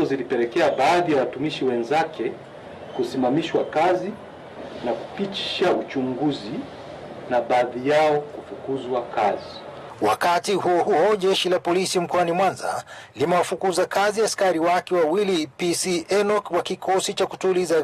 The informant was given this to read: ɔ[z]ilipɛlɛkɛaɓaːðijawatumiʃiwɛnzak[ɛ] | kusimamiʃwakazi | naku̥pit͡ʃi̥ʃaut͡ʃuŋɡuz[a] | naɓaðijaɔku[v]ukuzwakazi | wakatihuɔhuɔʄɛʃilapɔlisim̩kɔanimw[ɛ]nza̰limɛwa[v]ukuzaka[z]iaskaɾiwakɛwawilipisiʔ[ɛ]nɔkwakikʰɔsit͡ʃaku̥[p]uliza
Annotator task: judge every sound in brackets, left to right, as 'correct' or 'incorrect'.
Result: correct, correct, incorrect: i, incorrect: f, incorrect: a, incorrect: f, correct, correct, incorrect: t

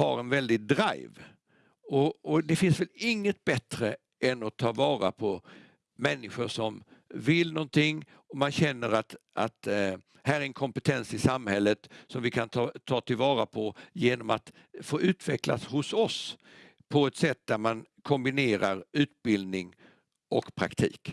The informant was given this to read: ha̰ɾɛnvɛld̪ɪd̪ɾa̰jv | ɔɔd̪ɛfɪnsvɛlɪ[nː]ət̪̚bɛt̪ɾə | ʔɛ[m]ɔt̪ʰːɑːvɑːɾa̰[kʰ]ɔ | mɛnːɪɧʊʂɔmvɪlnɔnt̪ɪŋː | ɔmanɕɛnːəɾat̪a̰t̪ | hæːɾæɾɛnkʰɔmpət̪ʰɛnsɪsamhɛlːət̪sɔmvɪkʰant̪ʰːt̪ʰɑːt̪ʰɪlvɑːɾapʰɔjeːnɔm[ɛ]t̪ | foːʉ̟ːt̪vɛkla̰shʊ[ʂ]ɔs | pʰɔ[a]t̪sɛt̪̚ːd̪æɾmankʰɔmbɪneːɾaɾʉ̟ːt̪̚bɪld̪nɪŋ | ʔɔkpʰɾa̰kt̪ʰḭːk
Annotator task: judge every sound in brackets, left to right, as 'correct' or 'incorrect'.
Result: incorrect: ŋː, incorrect: n, incorrect: pʰ, incorrect: a, incorrect: s, incorrect: ɛ

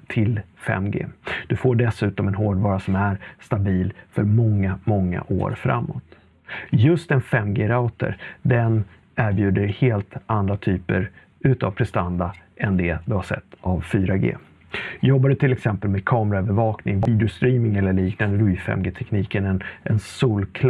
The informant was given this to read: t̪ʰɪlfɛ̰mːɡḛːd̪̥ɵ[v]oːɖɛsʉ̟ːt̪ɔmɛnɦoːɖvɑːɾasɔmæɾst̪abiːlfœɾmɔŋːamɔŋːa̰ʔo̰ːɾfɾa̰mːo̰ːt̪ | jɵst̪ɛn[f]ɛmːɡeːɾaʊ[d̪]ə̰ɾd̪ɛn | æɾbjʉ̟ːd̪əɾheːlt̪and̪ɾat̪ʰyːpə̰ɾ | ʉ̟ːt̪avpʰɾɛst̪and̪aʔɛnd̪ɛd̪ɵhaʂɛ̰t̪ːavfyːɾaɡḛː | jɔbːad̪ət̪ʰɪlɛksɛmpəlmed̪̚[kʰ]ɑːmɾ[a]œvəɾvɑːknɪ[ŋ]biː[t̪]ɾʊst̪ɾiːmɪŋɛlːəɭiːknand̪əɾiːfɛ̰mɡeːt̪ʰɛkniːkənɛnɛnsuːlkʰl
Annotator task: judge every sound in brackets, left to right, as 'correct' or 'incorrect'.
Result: incorrect: f, correct, incorrect: t̪, correct, correct, correct, incorrect: d̪

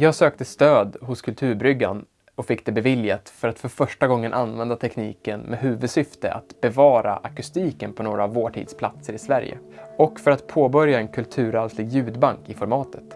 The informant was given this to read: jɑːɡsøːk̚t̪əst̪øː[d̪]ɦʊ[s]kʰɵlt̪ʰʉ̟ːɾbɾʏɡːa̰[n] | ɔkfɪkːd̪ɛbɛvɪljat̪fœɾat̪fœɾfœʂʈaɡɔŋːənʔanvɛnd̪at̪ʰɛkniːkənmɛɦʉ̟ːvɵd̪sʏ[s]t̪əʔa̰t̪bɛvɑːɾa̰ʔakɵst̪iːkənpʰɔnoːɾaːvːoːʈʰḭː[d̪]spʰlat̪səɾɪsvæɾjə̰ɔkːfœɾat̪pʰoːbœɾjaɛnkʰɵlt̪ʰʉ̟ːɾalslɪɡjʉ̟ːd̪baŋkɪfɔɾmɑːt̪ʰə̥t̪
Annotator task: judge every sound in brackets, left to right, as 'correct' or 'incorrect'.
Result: correct, correct, correct, incorrect: f, correct

